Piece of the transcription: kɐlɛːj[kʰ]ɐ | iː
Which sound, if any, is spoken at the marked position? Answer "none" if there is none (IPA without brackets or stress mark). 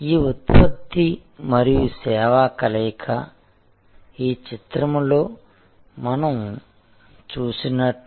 kʰ